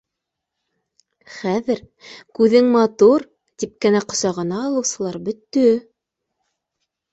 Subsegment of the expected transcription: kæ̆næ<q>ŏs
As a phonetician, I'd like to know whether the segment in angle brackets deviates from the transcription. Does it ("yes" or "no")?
no